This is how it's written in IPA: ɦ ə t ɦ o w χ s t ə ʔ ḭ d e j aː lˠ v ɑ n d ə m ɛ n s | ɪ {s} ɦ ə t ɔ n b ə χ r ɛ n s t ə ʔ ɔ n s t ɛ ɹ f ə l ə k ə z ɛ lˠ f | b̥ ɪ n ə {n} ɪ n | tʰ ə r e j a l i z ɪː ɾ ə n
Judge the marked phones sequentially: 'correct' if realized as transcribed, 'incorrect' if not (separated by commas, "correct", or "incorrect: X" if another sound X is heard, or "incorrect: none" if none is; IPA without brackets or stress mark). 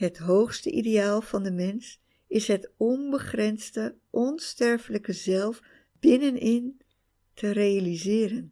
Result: correct, correct